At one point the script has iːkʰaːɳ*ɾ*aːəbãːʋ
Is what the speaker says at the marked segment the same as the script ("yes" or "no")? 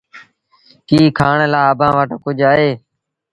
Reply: no